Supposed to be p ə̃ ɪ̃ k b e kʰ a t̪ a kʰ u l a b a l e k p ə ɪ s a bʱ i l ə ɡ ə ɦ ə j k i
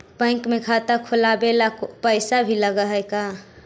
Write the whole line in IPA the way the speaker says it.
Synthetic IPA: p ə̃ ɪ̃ k m e kʰ a t̪ a kʰ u l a b e l a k p ə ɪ s a bʱ i l ə ɡ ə ɦ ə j k a